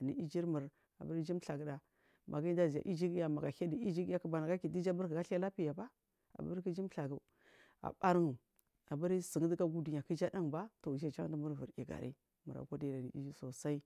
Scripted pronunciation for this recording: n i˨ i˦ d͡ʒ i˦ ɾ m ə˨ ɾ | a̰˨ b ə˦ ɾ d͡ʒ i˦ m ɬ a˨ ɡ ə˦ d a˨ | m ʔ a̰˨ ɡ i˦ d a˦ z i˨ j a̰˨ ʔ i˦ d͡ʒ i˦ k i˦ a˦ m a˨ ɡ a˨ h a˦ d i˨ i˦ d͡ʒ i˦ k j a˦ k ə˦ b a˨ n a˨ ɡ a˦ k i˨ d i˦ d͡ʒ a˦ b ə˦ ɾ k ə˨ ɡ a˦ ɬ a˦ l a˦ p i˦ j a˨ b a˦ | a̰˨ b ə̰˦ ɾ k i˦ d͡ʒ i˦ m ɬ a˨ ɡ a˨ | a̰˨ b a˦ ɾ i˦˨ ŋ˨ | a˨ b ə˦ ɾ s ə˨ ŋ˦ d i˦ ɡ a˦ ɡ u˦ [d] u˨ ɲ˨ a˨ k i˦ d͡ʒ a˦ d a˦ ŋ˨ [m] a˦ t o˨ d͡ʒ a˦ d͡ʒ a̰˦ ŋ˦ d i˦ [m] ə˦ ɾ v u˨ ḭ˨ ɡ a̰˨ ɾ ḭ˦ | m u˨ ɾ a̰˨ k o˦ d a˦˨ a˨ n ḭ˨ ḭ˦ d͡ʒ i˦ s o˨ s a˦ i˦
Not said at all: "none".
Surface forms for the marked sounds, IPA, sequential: d, b, m

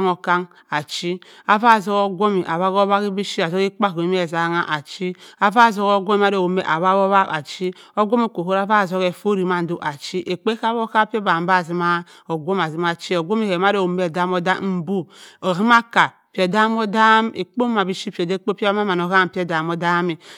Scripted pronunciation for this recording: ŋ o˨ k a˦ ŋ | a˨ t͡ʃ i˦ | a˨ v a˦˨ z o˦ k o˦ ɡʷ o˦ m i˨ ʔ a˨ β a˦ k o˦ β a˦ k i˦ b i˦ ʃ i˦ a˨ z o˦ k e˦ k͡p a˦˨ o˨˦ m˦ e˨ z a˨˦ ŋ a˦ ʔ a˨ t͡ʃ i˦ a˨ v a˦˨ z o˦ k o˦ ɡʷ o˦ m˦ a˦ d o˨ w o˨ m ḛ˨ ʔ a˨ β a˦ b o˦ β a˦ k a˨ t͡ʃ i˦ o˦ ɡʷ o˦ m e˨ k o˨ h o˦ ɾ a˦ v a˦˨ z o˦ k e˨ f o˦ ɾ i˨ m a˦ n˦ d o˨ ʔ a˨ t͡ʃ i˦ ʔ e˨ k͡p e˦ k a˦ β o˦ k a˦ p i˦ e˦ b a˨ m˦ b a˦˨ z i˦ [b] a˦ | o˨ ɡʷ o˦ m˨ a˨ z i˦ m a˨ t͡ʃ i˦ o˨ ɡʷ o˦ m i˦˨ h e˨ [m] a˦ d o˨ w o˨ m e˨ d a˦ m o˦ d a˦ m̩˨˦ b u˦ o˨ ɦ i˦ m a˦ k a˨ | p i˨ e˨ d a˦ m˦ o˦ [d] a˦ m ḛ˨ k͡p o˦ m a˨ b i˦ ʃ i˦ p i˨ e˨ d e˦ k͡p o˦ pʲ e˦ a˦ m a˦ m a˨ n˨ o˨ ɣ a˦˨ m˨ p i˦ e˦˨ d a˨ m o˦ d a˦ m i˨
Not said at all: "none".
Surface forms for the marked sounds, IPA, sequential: m, m, d

